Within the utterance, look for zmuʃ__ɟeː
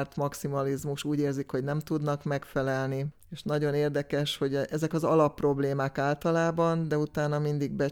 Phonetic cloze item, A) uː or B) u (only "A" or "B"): A